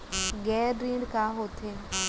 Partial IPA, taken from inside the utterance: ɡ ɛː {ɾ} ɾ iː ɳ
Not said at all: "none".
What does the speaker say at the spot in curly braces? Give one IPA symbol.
ɾ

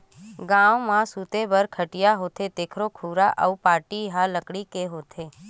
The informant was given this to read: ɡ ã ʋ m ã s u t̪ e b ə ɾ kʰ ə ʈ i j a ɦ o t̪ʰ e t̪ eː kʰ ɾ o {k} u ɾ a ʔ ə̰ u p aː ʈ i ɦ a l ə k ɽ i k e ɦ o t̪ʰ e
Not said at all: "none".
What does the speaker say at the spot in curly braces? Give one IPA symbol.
kʰ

